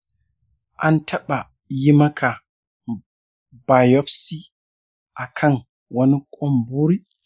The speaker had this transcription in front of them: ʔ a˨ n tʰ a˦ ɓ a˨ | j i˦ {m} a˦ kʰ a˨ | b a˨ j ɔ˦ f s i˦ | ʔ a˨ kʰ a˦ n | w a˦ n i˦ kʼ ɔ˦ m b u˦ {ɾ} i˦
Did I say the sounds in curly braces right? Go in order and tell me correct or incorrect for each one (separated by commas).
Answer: correct, correct